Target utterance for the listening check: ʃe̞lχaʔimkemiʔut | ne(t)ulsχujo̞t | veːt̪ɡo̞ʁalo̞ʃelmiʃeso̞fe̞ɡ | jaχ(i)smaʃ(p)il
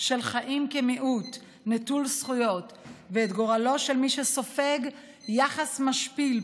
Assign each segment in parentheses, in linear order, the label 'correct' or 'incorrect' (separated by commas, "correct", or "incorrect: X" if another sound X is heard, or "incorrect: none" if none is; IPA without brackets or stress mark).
correct, incorrect: a, correct